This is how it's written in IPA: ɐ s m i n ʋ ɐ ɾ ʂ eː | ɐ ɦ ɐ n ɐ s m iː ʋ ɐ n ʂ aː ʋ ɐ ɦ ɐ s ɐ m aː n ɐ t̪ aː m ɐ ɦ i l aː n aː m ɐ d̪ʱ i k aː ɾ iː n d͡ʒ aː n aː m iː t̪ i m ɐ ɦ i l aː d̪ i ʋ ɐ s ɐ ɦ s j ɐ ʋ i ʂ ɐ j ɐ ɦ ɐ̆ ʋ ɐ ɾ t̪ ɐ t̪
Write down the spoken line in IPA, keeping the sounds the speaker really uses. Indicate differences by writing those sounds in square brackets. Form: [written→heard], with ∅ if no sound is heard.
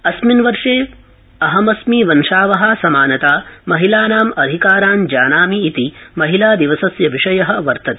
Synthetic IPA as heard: ɐ s m i n ʋ ɐ ɾ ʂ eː | ɐ ɦ ɐ [n→m] ɐ s m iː ʋ ɐ n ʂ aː ʋ ɐ ɦ ɐ s ɐ m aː n ɐ t̪ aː m ɐ ɦ i l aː n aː m ɐ d̪ʱ i k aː ɾ [iː→aː] n d͡ʒ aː n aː m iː t̪ i m ɐ ɦ i l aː d̪ i ʋ ɐ s ɐ [ɦ→∅] s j ɐ ʋ i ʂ ɐ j ɐ ɦ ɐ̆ ʋ ɐ ɾ t̪ ɐ t̪